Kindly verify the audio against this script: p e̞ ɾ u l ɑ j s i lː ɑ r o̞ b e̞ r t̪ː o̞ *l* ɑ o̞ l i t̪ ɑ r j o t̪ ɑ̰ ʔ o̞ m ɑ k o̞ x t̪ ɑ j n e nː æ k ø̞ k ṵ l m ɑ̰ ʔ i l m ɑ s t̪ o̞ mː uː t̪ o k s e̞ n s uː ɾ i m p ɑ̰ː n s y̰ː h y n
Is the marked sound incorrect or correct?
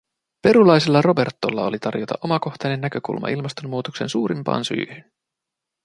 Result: incorrect